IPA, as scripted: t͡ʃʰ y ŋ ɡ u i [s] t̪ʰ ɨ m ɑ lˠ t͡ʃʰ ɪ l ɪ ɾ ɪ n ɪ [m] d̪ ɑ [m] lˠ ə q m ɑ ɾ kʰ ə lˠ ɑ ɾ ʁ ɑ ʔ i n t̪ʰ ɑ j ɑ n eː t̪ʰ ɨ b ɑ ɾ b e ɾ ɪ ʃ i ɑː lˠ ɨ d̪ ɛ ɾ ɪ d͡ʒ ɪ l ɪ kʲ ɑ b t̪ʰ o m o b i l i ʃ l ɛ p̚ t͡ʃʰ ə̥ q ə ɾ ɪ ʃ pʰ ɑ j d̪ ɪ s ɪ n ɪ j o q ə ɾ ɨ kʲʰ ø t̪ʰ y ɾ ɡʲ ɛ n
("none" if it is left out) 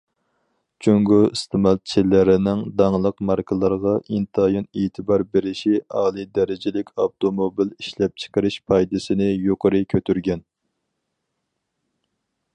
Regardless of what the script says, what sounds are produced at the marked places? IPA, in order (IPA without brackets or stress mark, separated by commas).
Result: s, ŋ, ŋ